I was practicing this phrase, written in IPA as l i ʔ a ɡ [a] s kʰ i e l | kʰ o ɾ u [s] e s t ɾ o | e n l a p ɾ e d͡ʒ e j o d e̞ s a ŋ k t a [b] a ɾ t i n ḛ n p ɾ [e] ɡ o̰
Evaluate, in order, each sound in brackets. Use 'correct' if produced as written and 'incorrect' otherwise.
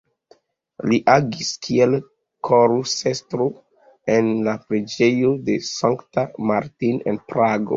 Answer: incorrect: i, correct, incorrect: m, incorrect: a

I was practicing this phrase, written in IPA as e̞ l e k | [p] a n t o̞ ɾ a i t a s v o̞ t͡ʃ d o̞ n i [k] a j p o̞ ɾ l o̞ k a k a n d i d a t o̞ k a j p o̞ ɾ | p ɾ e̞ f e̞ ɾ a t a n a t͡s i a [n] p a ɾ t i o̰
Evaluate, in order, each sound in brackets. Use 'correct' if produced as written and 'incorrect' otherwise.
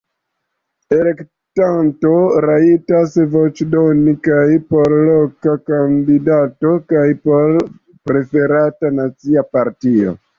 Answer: incorrect: t, correct, incorrect: none

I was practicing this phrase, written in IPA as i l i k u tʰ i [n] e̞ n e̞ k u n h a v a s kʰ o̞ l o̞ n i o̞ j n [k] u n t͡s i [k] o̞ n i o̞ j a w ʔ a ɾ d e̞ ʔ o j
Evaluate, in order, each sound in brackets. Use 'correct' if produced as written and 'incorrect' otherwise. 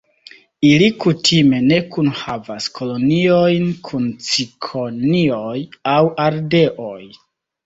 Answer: incorrect: m, incorrect: kʰ, incorrect: kʰ

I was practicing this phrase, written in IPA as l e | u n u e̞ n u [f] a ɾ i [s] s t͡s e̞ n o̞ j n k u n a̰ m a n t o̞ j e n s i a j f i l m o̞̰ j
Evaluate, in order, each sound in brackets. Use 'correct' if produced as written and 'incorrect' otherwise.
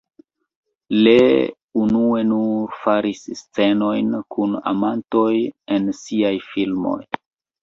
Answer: correct, correct

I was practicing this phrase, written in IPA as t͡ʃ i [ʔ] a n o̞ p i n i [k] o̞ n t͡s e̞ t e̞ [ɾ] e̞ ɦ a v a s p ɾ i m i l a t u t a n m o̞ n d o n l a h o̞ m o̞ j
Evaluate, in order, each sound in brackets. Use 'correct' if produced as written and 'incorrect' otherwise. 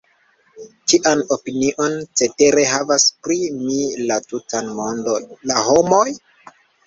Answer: correct, incorrect: ʔ, correct

